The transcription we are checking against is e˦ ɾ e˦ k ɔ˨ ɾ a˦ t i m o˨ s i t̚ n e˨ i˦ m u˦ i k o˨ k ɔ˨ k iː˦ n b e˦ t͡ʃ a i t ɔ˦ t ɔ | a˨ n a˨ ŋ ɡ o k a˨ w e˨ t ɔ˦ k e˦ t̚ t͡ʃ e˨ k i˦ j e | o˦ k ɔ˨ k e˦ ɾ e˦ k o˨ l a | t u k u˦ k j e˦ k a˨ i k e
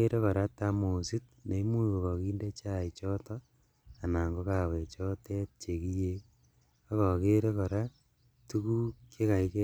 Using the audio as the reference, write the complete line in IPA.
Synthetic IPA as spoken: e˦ ɾ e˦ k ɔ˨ ɾ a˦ t a m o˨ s i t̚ n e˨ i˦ m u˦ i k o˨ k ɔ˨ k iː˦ n d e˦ t͡ʃ a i t͡ʃ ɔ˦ t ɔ | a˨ n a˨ ŋ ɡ o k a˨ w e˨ t͡ʃ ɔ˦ t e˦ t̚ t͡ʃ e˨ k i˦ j e | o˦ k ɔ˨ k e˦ ɾ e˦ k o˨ ɾ a | t u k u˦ k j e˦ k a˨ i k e